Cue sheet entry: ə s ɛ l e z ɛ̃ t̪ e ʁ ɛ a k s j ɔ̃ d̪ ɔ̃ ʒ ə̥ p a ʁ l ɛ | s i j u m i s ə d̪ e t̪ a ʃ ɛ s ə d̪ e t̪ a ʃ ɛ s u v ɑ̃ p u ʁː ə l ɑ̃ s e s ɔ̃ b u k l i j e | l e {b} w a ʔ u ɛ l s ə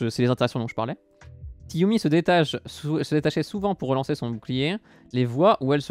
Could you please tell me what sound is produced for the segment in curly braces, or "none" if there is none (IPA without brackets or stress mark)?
v